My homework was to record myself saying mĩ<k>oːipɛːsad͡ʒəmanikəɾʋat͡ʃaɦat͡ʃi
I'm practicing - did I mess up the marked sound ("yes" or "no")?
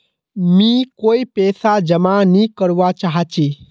no